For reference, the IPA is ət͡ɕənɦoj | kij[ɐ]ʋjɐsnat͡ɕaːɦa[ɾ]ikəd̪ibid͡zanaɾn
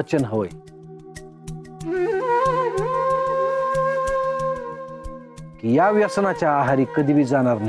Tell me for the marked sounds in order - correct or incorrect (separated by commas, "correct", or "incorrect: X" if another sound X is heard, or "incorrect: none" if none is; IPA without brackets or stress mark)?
incorrect: a, correct